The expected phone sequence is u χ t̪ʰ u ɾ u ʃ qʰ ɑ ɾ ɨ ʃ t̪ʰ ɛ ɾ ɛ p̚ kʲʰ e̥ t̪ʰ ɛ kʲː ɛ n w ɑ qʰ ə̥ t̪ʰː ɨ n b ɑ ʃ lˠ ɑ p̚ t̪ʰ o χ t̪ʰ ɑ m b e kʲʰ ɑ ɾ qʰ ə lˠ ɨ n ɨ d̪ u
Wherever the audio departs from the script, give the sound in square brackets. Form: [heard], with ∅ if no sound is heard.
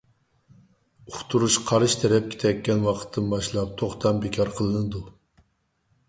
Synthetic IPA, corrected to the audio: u χ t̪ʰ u ɾ u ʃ qʰ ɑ ɾ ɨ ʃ t̪ʰ ɛ ɾ ɛ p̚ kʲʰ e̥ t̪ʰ ɛ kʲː ɛ n w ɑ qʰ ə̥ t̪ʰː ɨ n b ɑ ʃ lˠ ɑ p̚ t̪ʰ o χ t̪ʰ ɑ m b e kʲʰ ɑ ɾ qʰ ə lˠ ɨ n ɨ d̪ u